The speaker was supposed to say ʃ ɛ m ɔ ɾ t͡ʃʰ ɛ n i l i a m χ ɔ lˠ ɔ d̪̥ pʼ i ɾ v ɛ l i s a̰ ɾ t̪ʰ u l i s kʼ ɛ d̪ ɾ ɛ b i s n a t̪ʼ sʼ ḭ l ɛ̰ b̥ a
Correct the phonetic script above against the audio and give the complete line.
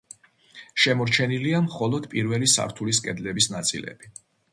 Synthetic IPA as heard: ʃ ɛ m ɔ ɾ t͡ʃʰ ɛ n i l i a m χ ɔ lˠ ɔ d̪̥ pʼ i ɾ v ɛ l i s a̰ ɾ t̪ʰ u l i s kʼ ɛ d̪ l ɛ b i s n a t̪ sʼ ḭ l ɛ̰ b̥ i